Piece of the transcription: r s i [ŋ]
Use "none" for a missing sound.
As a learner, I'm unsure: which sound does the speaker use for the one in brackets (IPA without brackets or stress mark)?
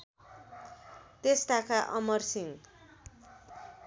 ŋ